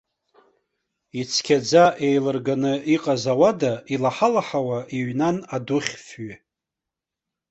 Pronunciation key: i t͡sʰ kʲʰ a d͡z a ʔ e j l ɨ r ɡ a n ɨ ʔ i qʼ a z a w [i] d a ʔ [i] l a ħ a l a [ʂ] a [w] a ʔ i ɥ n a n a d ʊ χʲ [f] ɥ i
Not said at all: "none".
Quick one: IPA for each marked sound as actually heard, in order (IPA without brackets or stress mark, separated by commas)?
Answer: a, i, ħ, w, f